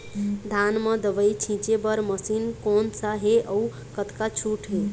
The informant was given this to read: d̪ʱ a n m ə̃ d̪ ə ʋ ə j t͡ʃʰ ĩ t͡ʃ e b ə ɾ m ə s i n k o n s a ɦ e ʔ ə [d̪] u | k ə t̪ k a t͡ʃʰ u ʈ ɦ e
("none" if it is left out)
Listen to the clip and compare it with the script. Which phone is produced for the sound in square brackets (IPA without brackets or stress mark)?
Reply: none